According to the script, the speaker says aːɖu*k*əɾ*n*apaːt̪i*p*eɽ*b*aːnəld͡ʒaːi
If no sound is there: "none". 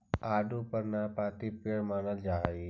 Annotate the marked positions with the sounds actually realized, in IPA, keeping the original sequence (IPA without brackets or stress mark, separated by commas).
p, n, p, m